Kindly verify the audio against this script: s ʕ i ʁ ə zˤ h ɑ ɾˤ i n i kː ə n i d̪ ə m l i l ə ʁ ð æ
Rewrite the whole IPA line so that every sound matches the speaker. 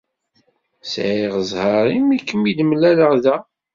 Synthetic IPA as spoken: s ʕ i ʁ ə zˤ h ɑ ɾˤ i m i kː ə m i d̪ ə m l æ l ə ʁ ð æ